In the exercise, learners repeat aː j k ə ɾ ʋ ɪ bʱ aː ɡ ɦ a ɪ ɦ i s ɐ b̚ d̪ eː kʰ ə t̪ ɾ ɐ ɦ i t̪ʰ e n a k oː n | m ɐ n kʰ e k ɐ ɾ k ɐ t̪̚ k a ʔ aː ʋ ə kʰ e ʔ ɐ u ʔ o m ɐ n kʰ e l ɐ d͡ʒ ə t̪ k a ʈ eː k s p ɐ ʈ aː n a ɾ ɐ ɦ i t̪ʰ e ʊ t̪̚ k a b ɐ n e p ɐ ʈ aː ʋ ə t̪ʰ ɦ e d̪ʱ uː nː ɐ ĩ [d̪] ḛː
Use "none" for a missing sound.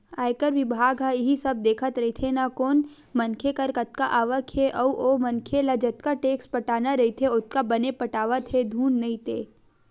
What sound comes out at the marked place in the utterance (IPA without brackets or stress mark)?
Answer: t̪